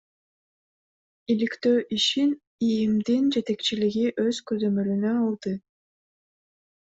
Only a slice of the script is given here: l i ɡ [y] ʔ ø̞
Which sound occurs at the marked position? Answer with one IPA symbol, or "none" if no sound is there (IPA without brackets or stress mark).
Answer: i